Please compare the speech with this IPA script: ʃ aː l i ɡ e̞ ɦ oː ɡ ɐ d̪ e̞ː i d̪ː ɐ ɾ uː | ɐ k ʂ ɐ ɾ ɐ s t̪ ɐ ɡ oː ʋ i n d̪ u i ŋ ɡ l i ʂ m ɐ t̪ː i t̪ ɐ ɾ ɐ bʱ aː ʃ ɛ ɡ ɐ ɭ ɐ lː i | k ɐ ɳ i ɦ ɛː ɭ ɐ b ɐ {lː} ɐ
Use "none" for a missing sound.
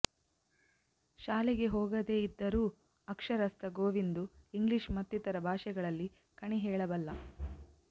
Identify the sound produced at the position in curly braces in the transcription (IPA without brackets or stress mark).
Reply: lː